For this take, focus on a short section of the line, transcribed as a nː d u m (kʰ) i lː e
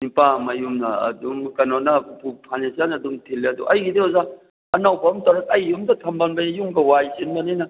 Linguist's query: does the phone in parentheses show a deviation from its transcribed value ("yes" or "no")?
yes